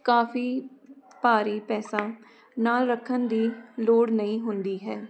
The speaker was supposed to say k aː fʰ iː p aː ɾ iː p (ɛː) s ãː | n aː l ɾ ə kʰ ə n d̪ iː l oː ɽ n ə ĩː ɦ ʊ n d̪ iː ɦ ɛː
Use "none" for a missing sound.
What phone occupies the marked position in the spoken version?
ɛː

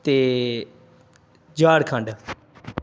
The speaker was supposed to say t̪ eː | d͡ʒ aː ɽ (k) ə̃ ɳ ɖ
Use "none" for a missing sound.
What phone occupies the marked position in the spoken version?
kʰ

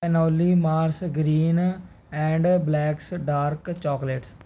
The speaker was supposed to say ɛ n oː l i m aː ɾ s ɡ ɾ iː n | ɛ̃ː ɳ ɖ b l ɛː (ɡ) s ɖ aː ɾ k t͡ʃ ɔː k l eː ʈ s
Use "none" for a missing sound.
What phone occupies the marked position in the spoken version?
k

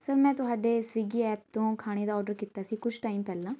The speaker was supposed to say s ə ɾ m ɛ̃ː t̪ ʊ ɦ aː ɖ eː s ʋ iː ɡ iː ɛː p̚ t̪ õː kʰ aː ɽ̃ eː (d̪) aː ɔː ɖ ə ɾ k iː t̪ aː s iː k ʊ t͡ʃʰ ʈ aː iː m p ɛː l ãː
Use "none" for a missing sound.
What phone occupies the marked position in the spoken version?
d̪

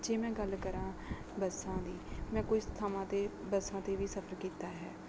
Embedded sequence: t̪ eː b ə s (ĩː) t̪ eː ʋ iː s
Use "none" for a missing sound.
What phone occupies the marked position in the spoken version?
ãː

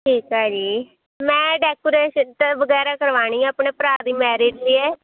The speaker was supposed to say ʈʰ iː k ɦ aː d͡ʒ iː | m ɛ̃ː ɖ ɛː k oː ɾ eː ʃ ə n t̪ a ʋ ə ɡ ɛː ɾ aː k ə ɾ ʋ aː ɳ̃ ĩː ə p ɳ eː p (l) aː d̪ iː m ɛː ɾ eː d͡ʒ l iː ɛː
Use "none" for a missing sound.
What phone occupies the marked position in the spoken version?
ɾ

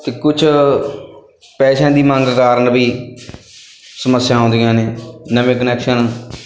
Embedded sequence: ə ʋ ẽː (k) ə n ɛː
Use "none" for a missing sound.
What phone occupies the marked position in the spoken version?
k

